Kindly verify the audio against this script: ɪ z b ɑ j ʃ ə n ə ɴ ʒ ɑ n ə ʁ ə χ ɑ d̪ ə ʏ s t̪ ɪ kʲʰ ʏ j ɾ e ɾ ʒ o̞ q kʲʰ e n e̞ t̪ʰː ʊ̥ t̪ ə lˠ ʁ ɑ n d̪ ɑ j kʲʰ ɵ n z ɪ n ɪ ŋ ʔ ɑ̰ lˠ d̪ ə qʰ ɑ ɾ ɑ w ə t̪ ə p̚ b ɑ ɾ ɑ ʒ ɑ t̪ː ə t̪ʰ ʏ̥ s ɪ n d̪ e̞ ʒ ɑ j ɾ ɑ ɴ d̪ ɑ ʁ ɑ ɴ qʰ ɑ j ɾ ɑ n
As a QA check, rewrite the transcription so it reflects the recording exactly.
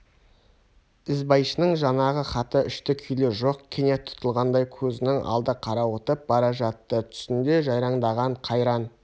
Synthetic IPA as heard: ɪ z b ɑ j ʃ ə n ə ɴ ʒ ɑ n ɑ ʁ ə χ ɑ t̪ ə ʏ ʃ t̪ ɪ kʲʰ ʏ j l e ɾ ʒ o̞ q kʲʰ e n e̞ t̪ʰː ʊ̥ t̪ ə lˠ ʁ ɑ n d̪ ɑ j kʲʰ ɵ z ɪ n ɪ ŋ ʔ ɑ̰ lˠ d̪ ə qʰ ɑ ɾ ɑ w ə t̪ ə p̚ b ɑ ɾ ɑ ʒ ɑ t̪ː ə t̪ʰ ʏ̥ s ɪ n d̪ e̞ ʒ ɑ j ɾ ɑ ɴ d̪ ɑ ʁ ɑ ɴ qʰ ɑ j ɾ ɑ n